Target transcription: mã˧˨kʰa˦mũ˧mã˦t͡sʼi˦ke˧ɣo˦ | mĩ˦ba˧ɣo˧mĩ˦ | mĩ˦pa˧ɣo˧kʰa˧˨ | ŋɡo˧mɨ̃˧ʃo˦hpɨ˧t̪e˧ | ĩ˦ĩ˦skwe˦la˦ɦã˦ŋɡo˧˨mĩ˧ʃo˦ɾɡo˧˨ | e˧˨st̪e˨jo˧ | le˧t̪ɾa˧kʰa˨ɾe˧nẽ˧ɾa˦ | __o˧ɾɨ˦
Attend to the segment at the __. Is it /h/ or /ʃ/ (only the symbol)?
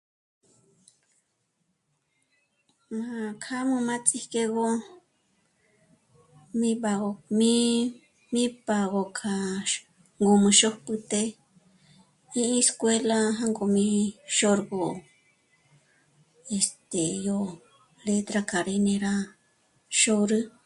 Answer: ʃ